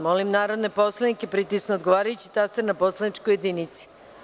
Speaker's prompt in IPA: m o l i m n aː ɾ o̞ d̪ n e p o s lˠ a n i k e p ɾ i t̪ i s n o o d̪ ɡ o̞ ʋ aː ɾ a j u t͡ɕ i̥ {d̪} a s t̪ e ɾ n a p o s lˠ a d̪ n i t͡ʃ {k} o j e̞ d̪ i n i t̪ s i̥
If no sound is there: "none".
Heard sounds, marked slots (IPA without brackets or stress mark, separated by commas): t̪, k